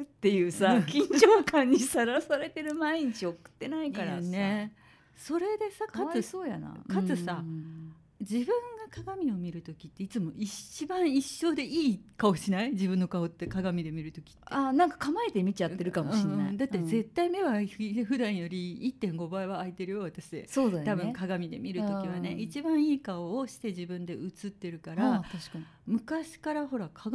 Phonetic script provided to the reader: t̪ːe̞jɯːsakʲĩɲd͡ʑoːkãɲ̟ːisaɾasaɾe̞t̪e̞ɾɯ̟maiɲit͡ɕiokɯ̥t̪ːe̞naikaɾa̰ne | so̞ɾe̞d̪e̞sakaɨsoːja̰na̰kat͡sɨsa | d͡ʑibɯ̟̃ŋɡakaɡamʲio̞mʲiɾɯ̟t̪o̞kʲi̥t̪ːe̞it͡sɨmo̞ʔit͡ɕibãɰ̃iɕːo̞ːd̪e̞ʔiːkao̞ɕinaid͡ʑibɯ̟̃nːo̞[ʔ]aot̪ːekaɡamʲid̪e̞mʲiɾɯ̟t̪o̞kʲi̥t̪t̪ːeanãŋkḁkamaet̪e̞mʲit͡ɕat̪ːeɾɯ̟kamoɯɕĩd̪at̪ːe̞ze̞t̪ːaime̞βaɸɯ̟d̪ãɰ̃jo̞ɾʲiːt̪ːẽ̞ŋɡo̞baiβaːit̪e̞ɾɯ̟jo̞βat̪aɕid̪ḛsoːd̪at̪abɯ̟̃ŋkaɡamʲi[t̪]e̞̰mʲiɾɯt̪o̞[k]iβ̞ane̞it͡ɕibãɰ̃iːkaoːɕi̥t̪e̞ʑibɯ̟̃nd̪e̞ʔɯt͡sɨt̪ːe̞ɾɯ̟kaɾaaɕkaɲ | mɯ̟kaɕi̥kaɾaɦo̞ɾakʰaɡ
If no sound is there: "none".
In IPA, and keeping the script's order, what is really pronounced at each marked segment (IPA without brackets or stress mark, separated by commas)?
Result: k, d̪, k